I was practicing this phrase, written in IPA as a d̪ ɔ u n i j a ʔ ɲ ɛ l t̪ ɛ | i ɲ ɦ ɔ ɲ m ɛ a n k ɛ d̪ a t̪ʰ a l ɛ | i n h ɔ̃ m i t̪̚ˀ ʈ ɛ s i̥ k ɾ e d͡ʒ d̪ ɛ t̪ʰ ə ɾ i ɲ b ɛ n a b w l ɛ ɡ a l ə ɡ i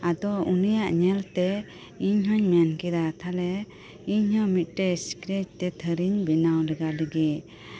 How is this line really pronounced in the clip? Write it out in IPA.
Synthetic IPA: a d̪ ɔ u n i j a ʔ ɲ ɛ l t̪ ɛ | i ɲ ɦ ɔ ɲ m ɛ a n k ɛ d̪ a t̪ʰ a l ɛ | i ɲ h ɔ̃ m i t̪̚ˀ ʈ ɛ s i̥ k ɾ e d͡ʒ t̪ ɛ t̪ʰ ə ɾ i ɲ b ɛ n a w l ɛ ɡ a l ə ɡ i